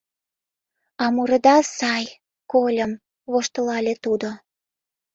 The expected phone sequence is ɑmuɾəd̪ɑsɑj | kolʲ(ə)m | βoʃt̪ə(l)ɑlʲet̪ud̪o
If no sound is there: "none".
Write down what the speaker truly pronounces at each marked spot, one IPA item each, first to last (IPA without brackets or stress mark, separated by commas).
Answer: ə, l